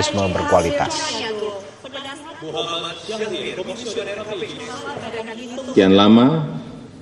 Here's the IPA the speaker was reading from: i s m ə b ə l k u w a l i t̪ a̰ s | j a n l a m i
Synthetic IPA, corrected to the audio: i s m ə b ə r k u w a l i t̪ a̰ s | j a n l a m a